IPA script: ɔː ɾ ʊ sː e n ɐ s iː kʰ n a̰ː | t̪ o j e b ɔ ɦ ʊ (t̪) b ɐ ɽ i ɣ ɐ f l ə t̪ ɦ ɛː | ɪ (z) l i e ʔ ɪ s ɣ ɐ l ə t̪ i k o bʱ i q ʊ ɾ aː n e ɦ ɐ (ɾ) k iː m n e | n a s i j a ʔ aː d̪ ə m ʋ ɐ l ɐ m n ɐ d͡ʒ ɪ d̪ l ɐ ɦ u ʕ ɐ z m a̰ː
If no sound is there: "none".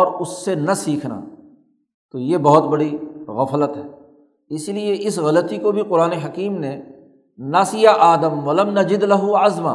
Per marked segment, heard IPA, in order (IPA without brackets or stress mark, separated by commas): t̪, s, none